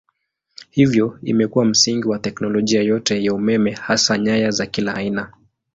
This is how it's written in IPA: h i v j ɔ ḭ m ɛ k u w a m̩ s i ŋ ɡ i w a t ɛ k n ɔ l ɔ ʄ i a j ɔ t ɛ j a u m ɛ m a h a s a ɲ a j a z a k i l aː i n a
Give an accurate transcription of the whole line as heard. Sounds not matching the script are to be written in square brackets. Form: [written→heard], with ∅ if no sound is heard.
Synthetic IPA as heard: h i v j ɔ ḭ m ɛ k u w a m̩ s i ŋ ɡ i w a t ɛ k n ɔ l ɔ ʄ i a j ɔ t ɛ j a u m ɛ m [a→ɛ] h a s a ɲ a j a z a k i l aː i n a